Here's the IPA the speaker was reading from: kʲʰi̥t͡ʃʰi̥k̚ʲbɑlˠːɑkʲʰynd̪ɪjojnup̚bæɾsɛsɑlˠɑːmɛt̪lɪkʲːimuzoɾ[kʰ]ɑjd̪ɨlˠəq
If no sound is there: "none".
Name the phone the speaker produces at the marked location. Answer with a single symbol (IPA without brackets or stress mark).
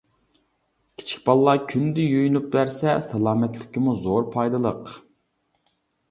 pʰ